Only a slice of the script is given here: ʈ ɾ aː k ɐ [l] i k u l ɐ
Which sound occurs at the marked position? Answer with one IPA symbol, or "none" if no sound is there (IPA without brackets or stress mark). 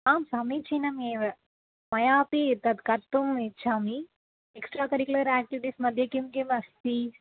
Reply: ɾ